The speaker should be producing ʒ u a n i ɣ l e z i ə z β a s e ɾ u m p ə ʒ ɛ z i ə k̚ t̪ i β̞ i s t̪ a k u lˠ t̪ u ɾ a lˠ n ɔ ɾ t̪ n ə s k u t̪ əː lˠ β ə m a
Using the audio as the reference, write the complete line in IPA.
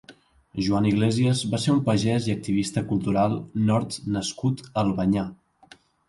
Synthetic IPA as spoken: ʒ u a n i ɣ l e z i ə z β a s e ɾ u m p ə ʒ ɛ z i ə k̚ t̪ i β̞ i s t̪ ə k u lˠ t̪ u ɾ a lˠ n ɔ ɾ t̪ n ə s k u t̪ ə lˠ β ə ɲ a